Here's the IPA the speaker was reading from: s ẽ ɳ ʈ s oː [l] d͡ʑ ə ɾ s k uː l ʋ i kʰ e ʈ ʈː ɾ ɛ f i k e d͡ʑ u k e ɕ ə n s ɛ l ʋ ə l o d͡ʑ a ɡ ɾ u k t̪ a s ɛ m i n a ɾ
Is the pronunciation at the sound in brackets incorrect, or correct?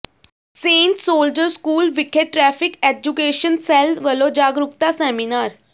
correct